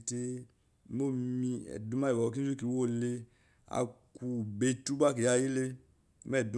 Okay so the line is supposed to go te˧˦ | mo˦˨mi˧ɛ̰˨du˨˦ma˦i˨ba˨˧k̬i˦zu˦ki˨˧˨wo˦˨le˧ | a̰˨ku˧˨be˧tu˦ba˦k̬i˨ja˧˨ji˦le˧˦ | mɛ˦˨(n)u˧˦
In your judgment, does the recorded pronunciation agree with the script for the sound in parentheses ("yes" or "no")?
no